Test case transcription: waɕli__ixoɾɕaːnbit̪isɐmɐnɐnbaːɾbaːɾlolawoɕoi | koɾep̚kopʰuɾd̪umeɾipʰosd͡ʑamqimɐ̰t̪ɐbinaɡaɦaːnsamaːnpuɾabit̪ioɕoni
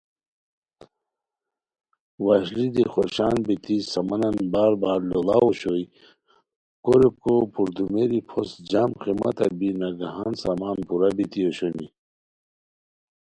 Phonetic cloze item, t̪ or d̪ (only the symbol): d̪